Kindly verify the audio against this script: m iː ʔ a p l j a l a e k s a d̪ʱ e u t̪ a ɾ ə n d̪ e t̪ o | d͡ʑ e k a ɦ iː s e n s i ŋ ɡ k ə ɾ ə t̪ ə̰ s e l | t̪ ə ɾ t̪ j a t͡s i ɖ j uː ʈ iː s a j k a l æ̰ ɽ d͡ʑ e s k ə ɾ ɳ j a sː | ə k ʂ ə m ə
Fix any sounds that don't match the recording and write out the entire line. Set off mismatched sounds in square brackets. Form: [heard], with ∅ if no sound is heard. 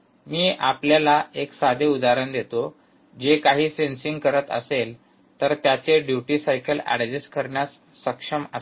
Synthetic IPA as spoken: m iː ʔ a p l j a l a e k s a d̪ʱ e u [d̪] a ɾ ə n d̪ e t̪ o | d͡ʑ e k a ɦ iː s e n s i ŋ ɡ k ə ɾ ə t̪ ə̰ s e l | t̪ ə ɾ t̪ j a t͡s [e] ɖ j [u] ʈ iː s a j k [ə] l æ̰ ɽ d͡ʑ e s k ə ɾ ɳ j a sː | ə k ʂ ə m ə